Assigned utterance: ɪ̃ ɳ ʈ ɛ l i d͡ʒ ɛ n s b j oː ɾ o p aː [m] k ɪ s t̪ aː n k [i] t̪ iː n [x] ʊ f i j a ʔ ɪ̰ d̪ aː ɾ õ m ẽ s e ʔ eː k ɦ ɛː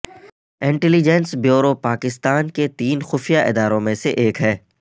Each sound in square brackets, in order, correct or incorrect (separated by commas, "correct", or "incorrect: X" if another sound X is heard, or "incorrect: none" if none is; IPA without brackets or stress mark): incorrect: none, incorrect: e, correct